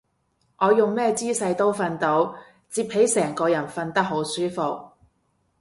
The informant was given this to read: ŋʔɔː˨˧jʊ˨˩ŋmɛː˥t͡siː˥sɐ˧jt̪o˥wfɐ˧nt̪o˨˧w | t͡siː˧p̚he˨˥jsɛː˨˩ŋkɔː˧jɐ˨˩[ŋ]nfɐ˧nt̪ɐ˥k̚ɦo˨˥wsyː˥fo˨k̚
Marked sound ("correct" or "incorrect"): incorrect